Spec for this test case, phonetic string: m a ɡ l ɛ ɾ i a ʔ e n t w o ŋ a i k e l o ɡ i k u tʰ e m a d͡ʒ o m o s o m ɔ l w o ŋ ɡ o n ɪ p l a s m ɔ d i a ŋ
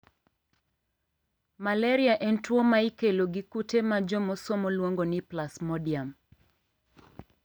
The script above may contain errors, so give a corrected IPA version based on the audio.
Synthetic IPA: m a l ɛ ɾ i a ʔ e n t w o m a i k e l o ɡ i k u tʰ e m a d͡ʒ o m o s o m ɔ l w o ŋ ɡ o n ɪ p l a s m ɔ d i a m

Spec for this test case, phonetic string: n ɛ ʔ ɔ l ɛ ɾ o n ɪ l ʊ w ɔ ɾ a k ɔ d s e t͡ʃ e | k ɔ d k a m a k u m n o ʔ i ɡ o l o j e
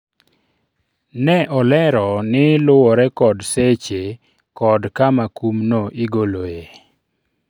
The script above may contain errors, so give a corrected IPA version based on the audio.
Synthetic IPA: n ɛ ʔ ɔ l ɛ ɾ ɔ n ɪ l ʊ w ɔ ɾ ɛ k ɔ d s e t͡ʃ e | k ɔ d k a m a k u m n o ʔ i ɡ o l o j e

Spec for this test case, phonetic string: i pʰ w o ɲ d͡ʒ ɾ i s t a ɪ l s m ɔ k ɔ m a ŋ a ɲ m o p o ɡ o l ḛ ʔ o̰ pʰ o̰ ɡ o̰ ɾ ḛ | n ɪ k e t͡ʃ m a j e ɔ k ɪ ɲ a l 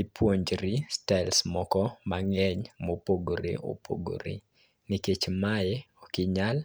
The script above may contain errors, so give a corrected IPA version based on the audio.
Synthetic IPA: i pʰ w o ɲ d͡ʒ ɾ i s t a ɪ l s m ɔ k ɔ m a ŋ ɛ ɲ m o p o ɡ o ɾ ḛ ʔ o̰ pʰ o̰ ɡ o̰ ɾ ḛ | n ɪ k e t͡ʃ m a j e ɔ k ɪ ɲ a l

